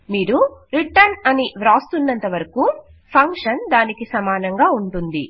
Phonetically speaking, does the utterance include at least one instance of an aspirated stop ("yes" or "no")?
yes